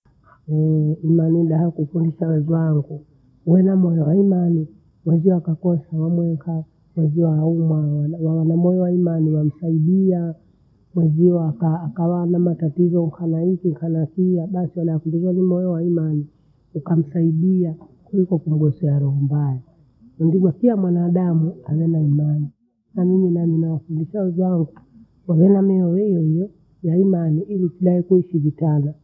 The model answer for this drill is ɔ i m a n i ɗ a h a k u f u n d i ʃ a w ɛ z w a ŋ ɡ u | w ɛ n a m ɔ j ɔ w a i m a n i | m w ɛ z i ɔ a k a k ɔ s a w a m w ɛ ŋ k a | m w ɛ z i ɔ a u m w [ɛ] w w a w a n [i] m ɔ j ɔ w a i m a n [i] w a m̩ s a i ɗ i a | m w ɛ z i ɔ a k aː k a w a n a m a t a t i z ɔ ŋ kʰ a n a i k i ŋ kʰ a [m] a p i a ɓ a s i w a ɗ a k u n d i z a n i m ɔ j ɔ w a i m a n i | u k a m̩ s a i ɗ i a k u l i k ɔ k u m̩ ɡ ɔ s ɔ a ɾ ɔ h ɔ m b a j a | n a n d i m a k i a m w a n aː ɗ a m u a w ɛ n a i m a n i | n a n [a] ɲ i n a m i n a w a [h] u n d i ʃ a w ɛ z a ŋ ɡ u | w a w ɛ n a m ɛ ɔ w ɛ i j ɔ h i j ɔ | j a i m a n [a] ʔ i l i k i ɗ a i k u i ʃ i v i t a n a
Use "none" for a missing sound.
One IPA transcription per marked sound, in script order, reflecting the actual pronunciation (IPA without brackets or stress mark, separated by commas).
a, a, i, n, i, f, i